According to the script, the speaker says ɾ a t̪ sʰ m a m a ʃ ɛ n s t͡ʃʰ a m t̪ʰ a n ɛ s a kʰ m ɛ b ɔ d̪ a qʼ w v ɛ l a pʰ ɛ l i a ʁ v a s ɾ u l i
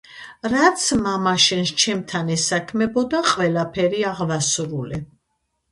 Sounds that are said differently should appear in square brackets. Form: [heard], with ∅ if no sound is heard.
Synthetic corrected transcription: ɾ a t̪ sʰ m a m a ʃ ɛ n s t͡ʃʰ [ɛ] m t̪ʰ a n ɛ s a kʰ m ɛ b ɔ d̪ a qʼ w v ɛ l a pʰ ɛ [ɾ] i a ʁ v a s ɾ u l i